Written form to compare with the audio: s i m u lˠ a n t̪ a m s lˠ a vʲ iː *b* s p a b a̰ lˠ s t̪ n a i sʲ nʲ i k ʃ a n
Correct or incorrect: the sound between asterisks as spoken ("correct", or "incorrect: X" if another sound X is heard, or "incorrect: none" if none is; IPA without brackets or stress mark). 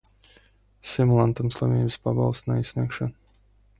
correct